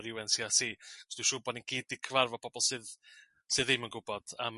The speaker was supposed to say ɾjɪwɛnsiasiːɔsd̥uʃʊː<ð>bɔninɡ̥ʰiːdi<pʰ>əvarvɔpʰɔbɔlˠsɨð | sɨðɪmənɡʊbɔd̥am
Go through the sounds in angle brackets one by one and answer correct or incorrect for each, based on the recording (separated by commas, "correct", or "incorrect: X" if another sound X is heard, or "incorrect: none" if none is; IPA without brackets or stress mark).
incorrect: none, incorrect: kʰ